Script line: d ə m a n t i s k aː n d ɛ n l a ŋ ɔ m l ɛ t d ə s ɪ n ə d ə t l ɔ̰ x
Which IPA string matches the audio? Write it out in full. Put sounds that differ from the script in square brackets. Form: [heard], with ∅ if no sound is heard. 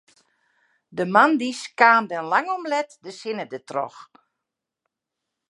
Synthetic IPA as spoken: d ə m a n [d] i s k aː n d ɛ n l a ŋ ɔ m l ɛ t d ə s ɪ n ə d ə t [r] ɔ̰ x